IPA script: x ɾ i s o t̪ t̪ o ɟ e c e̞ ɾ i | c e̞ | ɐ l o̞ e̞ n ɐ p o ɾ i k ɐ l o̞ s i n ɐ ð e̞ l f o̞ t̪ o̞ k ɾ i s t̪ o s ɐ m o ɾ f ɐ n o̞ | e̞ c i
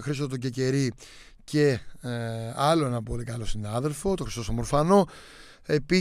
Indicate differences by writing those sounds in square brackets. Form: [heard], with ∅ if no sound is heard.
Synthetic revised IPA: x ɾ i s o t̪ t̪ o ɟ e c e̞ ɾ i | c e̞ | ɐ l o̞ e̞ n ɐ p o [l] i k ɐ l o̞ s i n ɐ ð e̞ l f o̞ t̪ o̞ [x] ɾ i s t̪ o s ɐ m o ɾ f ɐ n o̞ | e̞ [p] i